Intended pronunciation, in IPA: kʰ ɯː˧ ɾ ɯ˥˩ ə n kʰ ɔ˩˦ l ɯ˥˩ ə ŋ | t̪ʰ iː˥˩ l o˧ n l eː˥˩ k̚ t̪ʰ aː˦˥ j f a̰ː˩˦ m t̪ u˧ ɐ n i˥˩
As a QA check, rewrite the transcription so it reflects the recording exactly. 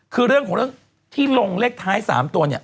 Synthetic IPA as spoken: kʰ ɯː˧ ɾ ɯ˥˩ ə ŋ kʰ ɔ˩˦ ɾ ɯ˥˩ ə ŋ | t̪ʰ iː˥˩ l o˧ ŋ l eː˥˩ k̚ t̪ʰ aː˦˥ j s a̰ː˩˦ m t̪ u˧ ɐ n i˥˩

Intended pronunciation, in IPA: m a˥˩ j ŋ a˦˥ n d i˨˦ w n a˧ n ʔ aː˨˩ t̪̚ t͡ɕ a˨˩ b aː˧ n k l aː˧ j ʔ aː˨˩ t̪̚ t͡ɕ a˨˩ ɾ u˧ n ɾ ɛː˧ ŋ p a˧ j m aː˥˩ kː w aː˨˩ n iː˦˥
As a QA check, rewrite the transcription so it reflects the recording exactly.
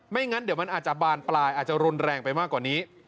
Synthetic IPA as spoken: m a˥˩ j ŋ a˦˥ n d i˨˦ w m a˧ n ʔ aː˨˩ t̪̚ t͡ɕ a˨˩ b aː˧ n p l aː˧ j ʔ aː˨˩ t̪̚ t͡ɕ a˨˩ ɾ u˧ n ɾ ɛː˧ ŋ p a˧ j m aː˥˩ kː w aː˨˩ n iː˦˥

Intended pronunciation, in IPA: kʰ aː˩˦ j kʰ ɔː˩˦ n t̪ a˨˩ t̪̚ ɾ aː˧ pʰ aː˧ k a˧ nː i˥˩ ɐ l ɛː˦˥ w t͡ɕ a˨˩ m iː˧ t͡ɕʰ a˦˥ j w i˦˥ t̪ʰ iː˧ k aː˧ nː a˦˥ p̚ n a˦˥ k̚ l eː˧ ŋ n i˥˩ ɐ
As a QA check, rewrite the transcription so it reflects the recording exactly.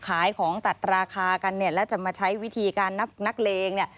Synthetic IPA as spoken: kʰ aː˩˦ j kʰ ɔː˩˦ ŋ t̪ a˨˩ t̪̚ ɾ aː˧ kʰ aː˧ k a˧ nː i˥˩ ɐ l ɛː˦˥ w t͡ɕ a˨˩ m aː˧ t͡ɕʰ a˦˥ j w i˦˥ t̪ʰ iː˧ k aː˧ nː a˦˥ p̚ n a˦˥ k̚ l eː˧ ŋ n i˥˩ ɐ

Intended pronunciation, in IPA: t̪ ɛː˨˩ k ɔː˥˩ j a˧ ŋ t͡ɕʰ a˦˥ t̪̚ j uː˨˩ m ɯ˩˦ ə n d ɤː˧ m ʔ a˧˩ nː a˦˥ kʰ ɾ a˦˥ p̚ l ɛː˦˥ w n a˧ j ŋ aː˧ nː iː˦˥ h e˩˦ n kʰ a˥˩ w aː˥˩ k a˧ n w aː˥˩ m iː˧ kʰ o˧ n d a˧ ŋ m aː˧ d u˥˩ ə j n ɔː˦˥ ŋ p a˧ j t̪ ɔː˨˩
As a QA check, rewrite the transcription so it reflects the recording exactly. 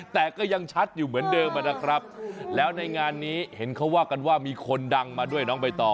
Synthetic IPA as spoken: t̪ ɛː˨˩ k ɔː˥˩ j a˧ ŋ t͡ɕʰ a˦˥ t̪̚ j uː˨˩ m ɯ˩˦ ə n d ɤː˧ m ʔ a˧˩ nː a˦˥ kʰ ɾ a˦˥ p̚ l ɛː˦˥ w n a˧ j ŋ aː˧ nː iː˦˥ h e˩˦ n kʰ a˦˥ w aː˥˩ k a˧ n w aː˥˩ m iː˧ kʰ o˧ n d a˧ ŋ m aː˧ d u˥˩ ə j n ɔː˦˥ ŋ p a˧ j t̪ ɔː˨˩

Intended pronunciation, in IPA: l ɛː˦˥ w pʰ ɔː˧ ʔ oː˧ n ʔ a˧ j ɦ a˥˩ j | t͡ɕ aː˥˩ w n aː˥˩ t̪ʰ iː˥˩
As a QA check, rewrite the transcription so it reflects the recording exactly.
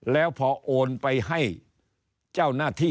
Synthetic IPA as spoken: l ɛː˦˥ w pʰ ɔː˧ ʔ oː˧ n p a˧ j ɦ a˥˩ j | t͡ɕ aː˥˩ w n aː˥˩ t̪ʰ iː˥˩

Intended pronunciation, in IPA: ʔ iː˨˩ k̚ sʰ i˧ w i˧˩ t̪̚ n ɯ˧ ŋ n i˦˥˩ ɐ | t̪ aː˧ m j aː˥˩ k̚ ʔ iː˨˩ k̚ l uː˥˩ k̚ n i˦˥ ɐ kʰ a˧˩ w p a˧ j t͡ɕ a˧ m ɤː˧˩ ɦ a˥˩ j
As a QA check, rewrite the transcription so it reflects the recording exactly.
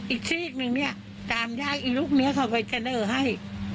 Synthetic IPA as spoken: ʔ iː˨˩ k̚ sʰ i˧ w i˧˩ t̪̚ n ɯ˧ ŋ n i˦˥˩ ɐ | t̪ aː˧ m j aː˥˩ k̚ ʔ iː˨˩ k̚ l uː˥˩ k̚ n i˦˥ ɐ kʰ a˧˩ w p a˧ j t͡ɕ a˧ n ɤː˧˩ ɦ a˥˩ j

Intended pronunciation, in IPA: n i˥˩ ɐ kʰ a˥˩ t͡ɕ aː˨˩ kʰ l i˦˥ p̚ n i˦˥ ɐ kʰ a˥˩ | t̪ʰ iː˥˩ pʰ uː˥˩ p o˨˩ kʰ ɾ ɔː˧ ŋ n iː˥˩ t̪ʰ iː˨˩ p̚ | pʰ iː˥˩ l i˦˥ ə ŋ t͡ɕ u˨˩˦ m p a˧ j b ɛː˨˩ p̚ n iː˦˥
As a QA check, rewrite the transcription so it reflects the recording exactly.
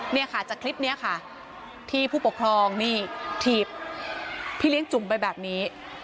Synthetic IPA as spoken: n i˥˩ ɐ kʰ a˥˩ t͡ɕ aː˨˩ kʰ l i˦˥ p̚ n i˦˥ ɐ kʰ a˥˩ | t̪ʰ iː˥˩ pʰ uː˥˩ p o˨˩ kʰ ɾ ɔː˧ ŋ n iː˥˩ t̪ʰ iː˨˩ p̚ | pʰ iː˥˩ l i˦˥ ə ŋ t͡ɕ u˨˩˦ m p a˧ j b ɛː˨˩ p̚ n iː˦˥

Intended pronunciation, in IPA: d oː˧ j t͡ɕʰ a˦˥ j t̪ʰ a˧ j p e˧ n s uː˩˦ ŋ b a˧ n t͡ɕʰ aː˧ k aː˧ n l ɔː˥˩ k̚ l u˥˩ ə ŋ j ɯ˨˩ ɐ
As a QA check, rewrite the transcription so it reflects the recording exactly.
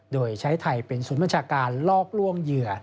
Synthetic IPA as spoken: d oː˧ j t͡ɕʰ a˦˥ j t̪ʰ a˧ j p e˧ n s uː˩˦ n b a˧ n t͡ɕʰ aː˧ k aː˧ n l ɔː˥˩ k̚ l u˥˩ ə ŋ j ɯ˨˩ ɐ

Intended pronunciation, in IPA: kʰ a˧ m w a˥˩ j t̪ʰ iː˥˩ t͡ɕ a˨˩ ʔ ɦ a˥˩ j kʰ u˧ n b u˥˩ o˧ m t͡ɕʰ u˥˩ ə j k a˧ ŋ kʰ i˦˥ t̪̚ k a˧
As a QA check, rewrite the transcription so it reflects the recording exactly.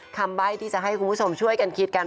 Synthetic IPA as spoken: kʰ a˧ m b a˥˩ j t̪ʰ iː˥˩ t͡ɕ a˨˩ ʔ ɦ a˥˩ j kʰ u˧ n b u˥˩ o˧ m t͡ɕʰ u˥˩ ə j k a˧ n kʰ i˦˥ t̪̚ k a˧

